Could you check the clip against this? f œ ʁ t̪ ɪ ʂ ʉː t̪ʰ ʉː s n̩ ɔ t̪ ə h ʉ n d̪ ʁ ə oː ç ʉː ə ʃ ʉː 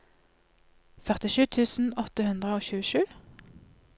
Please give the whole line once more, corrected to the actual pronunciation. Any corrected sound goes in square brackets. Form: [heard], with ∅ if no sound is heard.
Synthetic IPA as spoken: f œ ʁ t̪ ɪ [ʃ] ʉː t̪ʰ ʉː s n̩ ɔ t̪ ə h ʉ n d̪ ʁ ə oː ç ʉː ə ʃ ʉː